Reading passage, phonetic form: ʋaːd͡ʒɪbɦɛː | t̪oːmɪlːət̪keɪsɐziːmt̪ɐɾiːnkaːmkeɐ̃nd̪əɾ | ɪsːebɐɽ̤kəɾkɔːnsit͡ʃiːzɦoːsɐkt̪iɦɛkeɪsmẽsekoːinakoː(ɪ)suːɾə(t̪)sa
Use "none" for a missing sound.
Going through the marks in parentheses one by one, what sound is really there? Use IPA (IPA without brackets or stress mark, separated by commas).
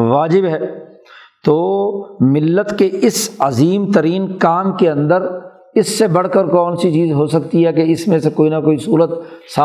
i, t̪